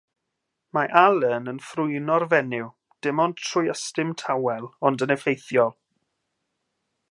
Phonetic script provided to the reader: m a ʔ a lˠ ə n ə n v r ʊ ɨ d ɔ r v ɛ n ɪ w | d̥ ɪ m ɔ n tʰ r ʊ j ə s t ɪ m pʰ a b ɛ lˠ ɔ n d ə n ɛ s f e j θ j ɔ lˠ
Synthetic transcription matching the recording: m a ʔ a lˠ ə n ə n f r ʊ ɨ n ɔ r v ɛ n ɪ w | d̥ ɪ m ɔ n tʰ r ʊ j ə s t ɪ m tʰ a w ɛ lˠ ɔ n d ə n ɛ f e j θ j ɔ lˠ